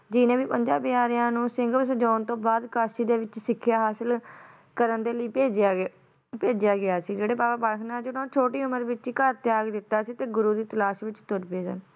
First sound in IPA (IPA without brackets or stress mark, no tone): d͡ʒ